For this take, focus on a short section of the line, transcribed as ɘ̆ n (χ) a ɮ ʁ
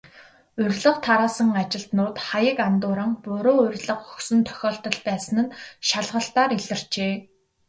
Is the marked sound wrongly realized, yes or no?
yes